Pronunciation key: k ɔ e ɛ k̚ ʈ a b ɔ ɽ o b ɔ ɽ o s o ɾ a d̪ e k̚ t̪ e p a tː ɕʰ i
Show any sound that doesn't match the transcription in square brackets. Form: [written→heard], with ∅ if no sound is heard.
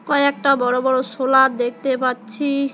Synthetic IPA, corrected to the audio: k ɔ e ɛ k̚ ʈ a b ɔ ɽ o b ɔ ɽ o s o [ɾ→l] a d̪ e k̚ t̪ e p a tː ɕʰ i